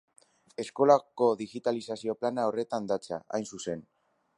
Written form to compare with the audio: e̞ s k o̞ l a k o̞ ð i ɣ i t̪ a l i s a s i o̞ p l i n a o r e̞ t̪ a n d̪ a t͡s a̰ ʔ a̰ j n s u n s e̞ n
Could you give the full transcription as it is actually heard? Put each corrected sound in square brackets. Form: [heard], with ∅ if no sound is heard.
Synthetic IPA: e̞ s k o̞ l a k o̞ ð i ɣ i t̪ a l i s a s i o̞ p l [a] n a o r e̞ t̪ a n d̪ a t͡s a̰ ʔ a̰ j n s u [∅] s e̞ n